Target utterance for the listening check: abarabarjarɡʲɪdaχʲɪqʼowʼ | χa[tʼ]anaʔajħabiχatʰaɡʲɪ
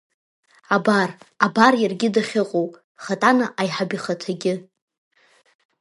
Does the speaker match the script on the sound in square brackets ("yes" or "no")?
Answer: yes